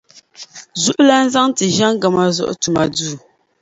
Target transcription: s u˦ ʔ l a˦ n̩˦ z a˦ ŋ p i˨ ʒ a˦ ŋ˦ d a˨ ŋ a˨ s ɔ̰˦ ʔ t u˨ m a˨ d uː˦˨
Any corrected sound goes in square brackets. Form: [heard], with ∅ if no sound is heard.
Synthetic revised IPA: [z] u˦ ʔ l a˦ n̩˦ z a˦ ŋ [t] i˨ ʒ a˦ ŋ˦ [ɡ] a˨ [m] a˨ [z] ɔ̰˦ ʔ t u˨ m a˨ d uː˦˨